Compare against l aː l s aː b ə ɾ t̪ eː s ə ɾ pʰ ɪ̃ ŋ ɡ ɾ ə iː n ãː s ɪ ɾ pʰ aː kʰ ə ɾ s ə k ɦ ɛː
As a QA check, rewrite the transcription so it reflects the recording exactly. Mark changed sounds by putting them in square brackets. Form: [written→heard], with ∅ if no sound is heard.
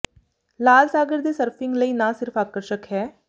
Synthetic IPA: l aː l s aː [b→ɡ] ə ɾ [t̪→d̪] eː s ə ɾ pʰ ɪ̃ ŋ ɡ [ɾ→l] ə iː n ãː s ɪ ɾ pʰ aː [kʰ→k] ə ɾ [s→ʃ] ə k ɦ ɛː